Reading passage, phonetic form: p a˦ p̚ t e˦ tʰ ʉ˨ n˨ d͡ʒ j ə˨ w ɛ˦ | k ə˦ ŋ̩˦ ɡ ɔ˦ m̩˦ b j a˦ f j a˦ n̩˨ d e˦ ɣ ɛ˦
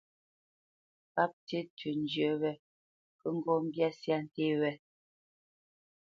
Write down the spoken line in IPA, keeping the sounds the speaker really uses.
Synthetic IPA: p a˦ p̚ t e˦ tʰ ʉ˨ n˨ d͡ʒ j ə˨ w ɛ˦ | k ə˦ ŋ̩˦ ɡ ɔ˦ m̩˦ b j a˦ s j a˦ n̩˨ t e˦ w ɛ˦